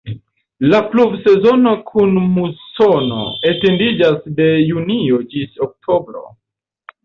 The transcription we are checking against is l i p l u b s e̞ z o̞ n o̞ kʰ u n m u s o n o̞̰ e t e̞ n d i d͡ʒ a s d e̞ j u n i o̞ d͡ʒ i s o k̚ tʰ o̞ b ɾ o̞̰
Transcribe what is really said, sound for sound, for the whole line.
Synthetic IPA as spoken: l a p l u b s e̞ z o̞ n o̞ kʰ u n m u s o n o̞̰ e t e̞ n d i d͡ʒ a s d e̞ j u n i o̞ d͡ʒ i s o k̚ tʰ o̞ b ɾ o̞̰